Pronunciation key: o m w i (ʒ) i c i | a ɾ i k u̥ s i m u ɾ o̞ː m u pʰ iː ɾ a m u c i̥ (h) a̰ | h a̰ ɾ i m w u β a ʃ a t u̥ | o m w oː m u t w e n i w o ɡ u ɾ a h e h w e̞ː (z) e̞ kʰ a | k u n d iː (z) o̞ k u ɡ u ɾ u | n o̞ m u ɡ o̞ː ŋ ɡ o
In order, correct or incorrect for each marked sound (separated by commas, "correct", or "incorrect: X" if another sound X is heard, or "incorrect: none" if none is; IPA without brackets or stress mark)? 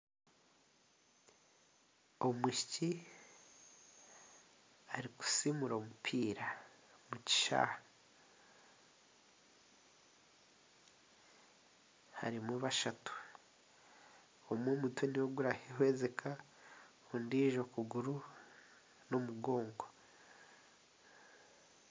incorrect: ʃ, incorrect: ʃ, correct, incorrect: ʒ